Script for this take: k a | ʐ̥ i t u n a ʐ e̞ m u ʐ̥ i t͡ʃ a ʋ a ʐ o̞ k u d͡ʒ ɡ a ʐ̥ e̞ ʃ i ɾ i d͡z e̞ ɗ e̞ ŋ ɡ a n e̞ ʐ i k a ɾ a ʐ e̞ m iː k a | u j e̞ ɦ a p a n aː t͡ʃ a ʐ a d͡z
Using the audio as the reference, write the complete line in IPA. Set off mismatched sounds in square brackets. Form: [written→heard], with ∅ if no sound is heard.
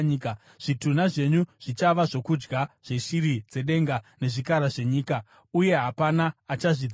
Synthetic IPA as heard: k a | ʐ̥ i t u n a ʐ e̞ [m→ɲ] u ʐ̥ i t͡ʃ a ʋ a ʐ o̞ k u d͡ʒ ɡ a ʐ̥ e̞ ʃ i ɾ i d͡z e̞ ɗ e̞ ŋ ɡ a n e̞ ʐ i k a ɾ a ʐ e̞ [m→ɲ] iː k a | u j e̞ ɦ a p a n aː t͡ʃ a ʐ [a→i] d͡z